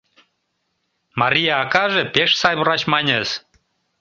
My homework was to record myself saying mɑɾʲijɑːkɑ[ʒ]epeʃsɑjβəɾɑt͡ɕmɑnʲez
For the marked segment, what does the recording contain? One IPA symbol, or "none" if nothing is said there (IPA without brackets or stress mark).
ʒ